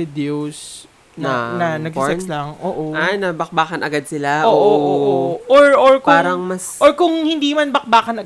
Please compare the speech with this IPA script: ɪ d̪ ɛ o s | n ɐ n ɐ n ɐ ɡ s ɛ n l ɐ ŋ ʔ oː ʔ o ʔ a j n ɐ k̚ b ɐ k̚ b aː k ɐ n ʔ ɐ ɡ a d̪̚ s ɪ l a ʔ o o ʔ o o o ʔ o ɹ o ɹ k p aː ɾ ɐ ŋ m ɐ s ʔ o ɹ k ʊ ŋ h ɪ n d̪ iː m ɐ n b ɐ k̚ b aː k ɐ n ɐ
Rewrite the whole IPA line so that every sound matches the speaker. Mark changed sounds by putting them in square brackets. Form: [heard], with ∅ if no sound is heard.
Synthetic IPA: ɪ d̪ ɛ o s | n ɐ n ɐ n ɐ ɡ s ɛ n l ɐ ŋ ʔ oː ʔ o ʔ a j n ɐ [∅] b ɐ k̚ b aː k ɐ n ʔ ɐ ɡ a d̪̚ s ɪ l a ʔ o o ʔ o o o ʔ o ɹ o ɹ k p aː ɾ ɐ ŋ m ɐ s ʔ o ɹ k ʊ ŋ h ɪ n d̪ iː m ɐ n b ɐ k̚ b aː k ɐ n ɐ